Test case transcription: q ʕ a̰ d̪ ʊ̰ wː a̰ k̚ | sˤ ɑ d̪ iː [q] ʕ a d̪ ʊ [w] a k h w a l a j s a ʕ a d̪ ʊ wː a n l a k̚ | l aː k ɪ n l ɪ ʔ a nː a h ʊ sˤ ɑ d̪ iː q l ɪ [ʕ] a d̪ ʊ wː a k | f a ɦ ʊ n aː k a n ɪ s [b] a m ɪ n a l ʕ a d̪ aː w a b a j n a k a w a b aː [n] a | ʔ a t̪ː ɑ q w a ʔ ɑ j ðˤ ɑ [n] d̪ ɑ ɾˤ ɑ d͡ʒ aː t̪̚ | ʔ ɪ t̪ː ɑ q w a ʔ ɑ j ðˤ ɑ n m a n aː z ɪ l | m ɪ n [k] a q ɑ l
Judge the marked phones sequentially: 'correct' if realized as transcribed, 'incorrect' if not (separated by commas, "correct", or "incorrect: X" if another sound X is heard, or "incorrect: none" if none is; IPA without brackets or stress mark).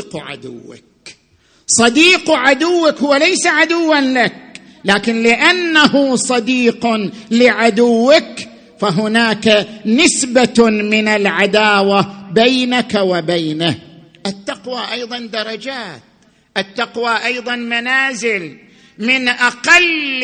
correct, incorrect: wː, correct, correct, correct, correct, incorrect: ʔ